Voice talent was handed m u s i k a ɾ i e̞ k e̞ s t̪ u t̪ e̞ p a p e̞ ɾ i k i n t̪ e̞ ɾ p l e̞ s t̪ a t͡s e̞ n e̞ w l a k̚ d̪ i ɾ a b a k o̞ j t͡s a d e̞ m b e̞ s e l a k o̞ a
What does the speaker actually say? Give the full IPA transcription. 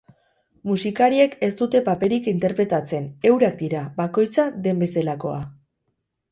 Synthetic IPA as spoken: m u s i k a ɾ i e̞ k e̞ s t̪ u t̪ e̞ p a p e̞ ɾ i k i n t̪ e̞ ɾ p ɾ e̞ t̪ a t͡s e̞ n e̞ w ɾ a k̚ d̪ i ɾ a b a k o̞ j t͡s a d e̞ m b e̞ s e l a k o̞ a